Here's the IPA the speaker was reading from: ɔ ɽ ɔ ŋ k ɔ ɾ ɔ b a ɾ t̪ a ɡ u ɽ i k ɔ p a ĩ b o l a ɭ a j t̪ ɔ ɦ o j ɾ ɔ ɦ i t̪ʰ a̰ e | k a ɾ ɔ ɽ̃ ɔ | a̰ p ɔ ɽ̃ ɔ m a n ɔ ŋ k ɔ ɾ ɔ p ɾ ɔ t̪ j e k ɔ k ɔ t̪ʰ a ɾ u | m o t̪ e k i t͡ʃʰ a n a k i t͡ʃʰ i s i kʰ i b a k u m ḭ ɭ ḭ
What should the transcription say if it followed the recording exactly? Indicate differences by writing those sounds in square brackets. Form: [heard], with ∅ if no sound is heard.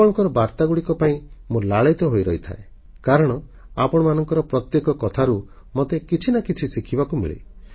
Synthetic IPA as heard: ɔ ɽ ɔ ŋ k ɔ ɾ ɔ b a ɾ t̪ a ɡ u ɽ i k ɔ p a ĩ [m] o l a ɭ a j t̪ ɔ ɦ o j ɾ ɔ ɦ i t̪ʰ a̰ e | k a ɾ ɔ ɽ̃ ɔ | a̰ p ɔ ɽ̃ ɔ m a n ɔ ŋ k ɔ ɾ ɔ p ɾ ɔ t̪ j e k ɔ k ɔ t̪ʰ a ɾ u | m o t̪ e k i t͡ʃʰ [i] n a k i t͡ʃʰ i s i kʰ i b a k u m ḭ ɭ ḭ